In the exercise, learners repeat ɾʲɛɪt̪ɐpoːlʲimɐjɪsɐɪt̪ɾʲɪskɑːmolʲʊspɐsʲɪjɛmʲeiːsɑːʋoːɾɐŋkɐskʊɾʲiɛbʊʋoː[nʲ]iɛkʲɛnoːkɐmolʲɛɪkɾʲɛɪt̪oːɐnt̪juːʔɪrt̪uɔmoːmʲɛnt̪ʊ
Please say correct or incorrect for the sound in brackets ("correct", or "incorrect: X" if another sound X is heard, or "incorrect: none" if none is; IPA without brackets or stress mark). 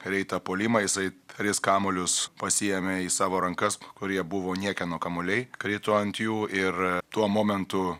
correct